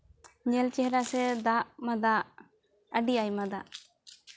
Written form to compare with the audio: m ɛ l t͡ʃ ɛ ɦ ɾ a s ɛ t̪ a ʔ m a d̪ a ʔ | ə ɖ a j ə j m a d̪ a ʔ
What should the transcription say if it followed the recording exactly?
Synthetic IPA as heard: ɲ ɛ l t͡ʃ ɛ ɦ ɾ a s ɛ d̪ a ʔ m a d̪ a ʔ | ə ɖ i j a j m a d̪ a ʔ